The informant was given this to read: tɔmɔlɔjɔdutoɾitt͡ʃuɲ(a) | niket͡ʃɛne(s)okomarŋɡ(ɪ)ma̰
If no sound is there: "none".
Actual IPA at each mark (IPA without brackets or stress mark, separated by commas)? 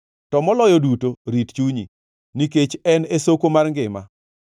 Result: i, s, ɪ